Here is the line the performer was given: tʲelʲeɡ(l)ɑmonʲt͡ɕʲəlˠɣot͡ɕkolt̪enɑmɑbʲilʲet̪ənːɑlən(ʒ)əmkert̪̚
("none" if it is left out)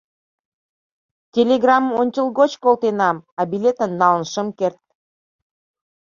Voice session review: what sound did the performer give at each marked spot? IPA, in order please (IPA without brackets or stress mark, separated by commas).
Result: r, ʃ